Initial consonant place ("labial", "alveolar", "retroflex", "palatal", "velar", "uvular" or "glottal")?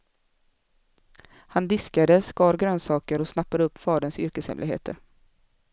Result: glottal